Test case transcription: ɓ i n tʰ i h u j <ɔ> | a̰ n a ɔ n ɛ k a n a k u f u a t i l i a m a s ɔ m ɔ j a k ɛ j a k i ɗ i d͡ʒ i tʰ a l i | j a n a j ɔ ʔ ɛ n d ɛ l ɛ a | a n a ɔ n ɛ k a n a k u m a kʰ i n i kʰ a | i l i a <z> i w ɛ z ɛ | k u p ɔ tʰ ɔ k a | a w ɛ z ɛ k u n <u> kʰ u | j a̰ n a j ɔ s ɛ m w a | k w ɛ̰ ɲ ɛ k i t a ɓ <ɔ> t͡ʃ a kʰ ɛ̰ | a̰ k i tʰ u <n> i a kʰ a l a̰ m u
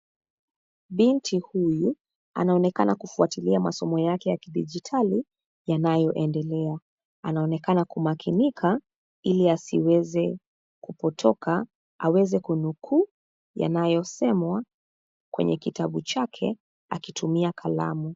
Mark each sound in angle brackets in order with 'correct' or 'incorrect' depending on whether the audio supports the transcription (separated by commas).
incorrect, incorrect, correct, incorrect, incorrect